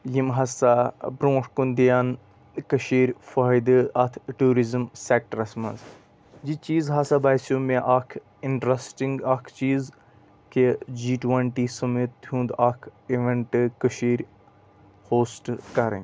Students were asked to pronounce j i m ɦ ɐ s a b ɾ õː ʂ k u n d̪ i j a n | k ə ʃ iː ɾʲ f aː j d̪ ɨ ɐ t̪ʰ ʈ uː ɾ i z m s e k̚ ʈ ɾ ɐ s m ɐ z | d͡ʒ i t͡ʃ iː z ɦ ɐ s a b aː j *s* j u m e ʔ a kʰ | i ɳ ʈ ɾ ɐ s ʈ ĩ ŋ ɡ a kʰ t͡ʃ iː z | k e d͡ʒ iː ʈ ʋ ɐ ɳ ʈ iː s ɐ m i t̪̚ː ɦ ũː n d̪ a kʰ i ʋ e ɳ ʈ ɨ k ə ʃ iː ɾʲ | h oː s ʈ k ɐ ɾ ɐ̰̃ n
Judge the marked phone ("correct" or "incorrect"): correct